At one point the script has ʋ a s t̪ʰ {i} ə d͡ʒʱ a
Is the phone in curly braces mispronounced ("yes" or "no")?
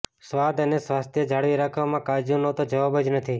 yes